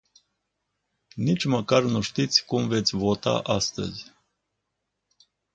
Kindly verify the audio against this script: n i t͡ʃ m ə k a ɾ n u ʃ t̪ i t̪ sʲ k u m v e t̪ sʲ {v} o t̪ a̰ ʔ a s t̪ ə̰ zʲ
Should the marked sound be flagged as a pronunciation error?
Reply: no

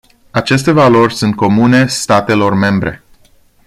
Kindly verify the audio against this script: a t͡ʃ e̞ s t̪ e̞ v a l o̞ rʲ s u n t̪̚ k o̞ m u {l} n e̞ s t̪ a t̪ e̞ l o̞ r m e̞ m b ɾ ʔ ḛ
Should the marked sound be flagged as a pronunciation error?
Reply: yes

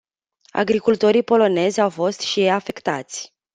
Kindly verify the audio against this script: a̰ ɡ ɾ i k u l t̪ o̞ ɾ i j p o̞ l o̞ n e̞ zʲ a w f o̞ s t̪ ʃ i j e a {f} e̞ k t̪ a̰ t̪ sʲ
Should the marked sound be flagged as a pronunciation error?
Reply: no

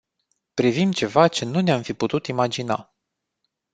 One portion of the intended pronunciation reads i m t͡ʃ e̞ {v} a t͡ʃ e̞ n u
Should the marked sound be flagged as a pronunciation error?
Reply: no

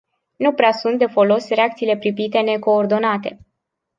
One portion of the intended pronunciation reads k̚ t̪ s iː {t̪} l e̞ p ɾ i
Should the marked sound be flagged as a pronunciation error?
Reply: yes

